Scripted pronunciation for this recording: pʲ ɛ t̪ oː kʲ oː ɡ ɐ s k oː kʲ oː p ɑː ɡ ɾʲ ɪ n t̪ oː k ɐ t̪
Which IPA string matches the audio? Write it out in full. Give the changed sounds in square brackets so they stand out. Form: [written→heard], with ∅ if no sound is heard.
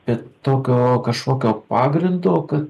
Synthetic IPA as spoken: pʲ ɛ t̪ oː kʲ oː [ɡ→k] ɐ [s→ʃ] k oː kʲ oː p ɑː ɡ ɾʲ ɪ n [t̪→d̪] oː k ɐ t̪